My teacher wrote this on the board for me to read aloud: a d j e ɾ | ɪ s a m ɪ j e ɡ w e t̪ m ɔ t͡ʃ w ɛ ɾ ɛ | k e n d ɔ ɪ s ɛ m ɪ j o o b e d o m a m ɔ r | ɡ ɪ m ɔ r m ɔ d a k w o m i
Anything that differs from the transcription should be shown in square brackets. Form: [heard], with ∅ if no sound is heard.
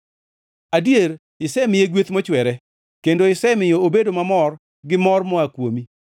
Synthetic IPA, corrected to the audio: a d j e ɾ | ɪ s [ɛ] m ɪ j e ɡ w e t̪ m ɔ t͡ʃ w ɛ ɾ ɛ | k e n d [o] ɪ s ɛ m ɪ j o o b e d o m a m ɔ r | ɡ ɪ m ɔ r m ɔ [∅] a k w o m i